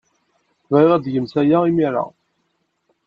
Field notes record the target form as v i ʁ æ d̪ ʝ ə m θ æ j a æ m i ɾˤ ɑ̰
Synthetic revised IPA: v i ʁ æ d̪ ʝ ə m s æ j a i m i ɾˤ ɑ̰